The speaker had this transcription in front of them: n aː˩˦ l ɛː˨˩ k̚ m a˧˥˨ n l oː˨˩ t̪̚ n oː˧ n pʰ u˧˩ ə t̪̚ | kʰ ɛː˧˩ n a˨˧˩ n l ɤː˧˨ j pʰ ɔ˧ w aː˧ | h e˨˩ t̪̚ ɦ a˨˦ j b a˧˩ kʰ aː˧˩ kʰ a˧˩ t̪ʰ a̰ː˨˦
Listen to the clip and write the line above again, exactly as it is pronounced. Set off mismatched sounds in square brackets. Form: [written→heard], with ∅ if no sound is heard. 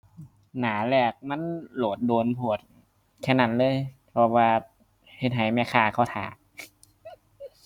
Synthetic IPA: n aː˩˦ l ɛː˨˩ k̚ m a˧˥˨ n l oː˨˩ t̪̚ [n→d] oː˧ n pʰ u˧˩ ə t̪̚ | kʰ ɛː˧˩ n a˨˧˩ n l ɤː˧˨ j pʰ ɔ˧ w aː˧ | h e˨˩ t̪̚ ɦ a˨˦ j [b→m] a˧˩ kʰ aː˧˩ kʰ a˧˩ t̪ʰ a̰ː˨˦